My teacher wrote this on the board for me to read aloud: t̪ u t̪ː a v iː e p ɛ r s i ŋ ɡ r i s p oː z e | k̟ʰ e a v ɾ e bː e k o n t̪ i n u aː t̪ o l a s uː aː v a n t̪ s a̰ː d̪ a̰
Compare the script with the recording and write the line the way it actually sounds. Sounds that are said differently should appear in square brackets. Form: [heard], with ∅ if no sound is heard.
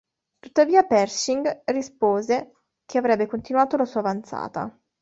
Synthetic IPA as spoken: t̪ u t̪ː a v iː [a] p ɛ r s i ŋ ɡ r i s p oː z e | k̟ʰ e a v ɾ [ɛ] bː e k o n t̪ i n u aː t̪ o l a s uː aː v a n t̪ s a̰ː [t̪] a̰